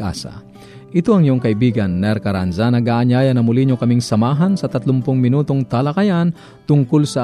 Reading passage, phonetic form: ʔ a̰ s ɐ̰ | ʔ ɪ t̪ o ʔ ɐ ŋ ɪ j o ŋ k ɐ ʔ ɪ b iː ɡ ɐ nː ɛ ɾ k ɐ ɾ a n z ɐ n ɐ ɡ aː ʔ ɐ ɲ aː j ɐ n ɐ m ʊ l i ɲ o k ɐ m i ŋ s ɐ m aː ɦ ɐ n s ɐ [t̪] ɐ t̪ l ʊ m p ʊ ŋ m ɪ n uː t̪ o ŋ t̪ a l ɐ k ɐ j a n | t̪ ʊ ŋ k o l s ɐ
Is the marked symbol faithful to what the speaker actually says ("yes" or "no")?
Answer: yes